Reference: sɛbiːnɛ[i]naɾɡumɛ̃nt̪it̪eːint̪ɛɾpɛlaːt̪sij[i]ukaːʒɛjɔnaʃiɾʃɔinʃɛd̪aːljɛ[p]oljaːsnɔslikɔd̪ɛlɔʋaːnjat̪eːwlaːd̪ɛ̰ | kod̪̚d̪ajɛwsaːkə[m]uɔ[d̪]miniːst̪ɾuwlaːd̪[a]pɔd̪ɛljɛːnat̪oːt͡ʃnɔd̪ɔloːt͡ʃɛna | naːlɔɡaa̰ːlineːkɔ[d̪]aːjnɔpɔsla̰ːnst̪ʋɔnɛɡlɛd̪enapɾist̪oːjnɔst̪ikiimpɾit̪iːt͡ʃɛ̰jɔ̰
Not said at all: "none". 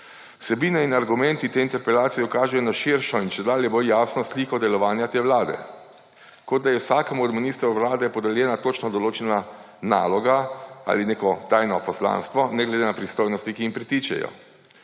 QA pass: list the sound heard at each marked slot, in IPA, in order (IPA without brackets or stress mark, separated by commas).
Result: i, ɛ, b, m, d̪, ɛ, t̪